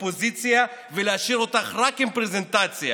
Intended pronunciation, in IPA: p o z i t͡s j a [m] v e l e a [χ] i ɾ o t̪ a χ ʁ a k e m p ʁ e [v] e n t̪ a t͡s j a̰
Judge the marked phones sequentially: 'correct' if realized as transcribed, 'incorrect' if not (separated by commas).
incorrect, incorrect, incorrect